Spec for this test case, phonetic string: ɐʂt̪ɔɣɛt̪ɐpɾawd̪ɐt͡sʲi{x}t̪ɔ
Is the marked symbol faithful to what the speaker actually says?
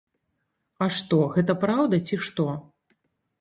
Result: no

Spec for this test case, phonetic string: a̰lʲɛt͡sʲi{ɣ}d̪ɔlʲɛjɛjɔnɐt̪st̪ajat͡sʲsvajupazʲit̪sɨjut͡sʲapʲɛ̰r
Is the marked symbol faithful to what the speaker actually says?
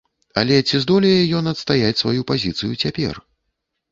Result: no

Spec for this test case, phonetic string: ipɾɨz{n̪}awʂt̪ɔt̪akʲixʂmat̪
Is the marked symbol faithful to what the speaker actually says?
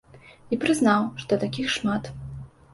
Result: yes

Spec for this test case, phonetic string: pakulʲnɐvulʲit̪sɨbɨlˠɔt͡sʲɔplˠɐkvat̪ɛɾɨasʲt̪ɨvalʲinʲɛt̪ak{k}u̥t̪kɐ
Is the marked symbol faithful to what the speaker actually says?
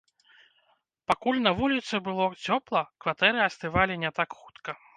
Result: no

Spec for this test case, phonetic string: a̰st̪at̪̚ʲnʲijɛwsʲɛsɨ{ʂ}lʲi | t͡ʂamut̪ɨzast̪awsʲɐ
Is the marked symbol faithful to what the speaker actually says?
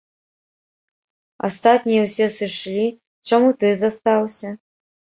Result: yes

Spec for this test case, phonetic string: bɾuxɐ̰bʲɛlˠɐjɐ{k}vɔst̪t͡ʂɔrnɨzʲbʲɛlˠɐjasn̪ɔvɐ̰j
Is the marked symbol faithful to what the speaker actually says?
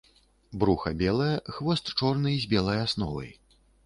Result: no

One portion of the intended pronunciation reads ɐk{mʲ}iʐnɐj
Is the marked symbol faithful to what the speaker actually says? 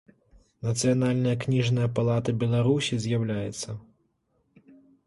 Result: no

